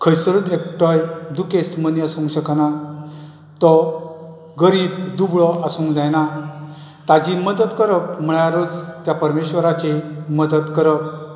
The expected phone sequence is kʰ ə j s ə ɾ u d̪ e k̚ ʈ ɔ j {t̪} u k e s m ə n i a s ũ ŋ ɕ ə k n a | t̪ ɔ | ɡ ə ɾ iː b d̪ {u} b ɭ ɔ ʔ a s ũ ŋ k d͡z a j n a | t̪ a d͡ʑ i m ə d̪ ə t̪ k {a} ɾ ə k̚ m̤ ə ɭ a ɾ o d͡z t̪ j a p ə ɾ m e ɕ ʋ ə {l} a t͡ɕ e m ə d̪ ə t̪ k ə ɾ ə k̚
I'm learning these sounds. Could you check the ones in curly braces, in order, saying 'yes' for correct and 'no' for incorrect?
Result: no, yes, no, no

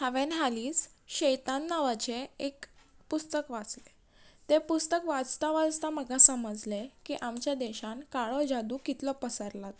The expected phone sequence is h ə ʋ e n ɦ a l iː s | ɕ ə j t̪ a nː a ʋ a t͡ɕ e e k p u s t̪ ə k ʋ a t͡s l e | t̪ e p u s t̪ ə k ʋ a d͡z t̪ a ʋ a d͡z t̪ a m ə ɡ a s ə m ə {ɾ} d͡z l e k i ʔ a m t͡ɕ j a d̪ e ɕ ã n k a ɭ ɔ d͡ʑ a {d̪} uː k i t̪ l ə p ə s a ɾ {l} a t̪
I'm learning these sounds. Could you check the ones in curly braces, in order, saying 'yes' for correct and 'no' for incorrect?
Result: no, yes, yes

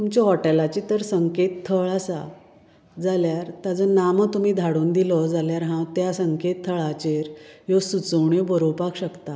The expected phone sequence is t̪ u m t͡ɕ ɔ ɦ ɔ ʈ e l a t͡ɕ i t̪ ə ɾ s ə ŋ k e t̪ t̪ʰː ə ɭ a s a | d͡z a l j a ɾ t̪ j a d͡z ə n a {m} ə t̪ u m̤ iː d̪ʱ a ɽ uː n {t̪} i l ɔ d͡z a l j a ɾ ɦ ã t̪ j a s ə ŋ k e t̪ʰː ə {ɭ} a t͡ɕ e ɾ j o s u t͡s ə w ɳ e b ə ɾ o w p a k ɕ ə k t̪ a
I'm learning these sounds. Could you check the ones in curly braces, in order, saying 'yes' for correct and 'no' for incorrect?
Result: yes, no, yes

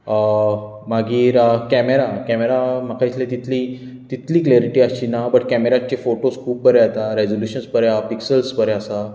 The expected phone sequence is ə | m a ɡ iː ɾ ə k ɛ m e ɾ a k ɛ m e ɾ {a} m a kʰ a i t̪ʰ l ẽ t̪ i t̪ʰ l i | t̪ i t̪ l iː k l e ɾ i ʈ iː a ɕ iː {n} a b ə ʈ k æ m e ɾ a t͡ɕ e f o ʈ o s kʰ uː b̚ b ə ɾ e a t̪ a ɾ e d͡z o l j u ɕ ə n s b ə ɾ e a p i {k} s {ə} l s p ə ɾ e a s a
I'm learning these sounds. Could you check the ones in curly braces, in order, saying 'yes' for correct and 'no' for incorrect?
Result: yes, yes, yes, yes

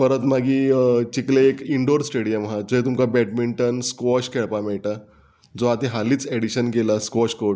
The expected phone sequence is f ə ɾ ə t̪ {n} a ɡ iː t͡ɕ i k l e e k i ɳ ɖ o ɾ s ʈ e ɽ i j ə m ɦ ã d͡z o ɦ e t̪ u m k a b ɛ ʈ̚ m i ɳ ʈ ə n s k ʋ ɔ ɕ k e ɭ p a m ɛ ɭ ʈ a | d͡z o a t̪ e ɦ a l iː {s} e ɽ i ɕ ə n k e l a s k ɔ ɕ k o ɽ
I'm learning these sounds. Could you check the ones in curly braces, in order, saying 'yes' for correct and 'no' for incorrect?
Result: no, no

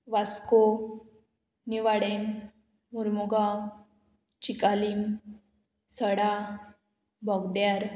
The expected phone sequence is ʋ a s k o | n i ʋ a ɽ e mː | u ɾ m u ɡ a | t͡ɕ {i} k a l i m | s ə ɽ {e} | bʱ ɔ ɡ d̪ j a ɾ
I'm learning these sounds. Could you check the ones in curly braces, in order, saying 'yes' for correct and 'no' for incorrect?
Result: yes, no

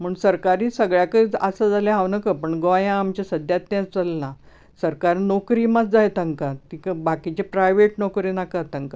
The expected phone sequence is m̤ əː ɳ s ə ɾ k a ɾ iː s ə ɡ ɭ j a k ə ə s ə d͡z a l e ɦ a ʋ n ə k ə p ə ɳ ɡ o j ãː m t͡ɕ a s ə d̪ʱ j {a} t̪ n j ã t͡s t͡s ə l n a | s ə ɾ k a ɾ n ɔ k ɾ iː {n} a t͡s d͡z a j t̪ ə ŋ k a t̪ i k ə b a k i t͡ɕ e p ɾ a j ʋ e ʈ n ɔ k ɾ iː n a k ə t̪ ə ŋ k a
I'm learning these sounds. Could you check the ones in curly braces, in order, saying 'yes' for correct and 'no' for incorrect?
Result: yes, no

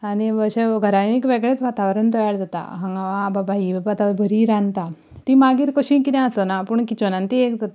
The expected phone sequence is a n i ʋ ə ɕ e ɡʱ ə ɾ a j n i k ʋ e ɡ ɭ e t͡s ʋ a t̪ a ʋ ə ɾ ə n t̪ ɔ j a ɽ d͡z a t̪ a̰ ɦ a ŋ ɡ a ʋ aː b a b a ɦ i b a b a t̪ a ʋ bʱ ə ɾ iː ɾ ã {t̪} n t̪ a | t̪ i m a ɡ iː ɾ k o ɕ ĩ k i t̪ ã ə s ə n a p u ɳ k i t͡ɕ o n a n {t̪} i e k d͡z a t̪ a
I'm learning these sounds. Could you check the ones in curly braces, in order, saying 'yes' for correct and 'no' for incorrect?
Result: no, yes

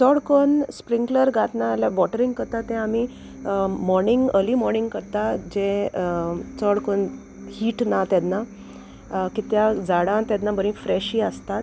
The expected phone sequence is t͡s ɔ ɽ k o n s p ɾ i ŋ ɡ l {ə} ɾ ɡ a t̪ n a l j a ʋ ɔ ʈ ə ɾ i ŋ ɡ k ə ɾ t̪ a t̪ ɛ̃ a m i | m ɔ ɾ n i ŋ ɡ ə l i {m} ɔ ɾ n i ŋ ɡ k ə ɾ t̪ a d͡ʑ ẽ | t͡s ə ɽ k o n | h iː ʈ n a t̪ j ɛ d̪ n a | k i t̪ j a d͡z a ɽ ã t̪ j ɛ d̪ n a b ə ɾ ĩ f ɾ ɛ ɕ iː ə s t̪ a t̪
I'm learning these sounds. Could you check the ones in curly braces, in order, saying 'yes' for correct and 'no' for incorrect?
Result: yes, yes

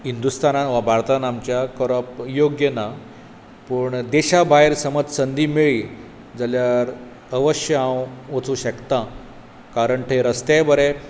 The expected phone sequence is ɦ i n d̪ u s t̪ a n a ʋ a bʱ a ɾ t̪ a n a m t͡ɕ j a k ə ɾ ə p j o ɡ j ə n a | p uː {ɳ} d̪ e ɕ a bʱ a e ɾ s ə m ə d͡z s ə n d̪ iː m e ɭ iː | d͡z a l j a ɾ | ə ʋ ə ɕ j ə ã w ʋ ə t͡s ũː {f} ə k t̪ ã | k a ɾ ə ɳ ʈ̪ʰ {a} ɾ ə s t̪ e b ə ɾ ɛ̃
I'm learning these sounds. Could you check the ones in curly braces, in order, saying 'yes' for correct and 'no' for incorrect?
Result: yes, no, no

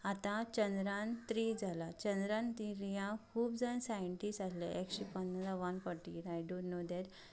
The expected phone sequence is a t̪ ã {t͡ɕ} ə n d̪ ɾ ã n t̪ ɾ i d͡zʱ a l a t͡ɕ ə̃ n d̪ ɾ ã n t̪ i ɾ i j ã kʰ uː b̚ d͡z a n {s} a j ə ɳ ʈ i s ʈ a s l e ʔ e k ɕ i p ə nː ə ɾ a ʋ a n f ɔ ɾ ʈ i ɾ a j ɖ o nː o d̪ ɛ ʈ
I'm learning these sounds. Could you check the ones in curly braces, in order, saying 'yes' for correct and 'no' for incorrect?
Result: yes, yes

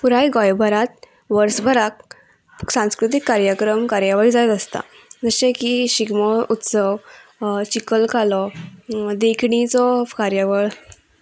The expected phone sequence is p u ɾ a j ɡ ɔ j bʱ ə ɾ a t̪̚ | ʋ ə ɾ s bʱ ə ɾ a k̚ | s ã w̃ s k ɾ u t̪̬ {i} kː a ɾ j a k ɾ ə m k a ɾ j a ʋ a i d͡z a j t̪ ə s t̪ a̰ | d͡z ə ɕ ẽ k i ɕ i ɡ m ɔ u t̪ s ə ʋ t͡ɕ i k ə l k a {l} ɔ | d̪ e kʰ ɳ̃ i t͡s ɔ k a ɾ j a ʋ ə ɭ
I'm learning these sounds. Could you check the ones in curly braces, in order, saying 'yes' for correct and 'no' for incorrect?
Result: yes, yes

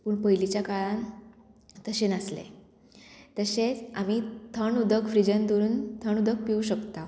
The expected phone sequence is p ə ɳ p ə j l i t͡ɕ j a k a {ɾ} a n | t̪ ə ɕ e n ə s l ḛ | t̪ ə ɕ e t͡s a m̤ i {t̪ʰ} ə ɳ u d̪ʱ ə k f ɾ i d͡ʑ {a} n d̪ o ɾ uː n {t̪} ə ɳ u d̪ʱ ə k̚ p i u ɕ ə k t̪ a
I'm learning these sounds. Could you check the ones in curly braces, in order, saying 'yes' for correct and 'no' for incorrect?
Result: no, yes, no, no

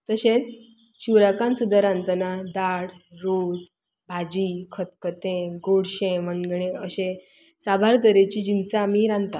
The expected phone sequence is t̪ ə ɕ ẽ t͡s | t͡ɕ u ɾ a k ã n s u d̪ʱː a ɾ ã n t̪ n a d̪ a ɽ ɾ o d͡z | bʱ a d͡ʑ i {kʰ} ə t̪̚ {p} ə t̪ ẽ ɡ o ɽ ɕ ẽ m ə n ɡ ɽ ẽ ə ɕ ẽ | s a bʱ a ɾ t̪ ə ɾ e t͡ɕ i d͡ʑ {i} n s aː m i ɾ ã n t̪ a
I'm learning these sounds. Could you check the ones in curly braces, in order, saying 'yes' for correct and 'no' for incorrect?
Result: yes, no, yes

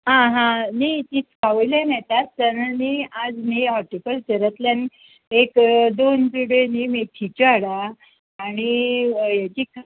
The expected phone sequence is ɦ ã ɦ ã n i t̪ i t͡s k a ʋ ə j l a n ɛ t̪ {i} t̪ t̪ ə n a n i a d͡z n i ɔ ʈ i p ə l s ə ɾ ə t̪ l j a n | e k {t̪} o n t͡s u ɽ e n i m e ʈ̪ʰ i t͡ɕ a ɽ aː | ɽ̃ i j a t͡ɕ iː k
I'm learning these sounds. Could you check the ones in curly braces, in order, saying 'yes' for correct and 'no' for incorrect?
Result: no, no

